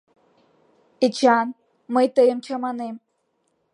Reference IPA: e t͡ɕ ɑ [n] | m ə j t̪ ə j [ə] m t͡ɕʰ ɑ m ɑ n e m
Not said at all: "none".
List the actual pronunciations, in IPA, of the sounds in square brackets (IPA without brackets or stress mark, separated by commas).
n, ə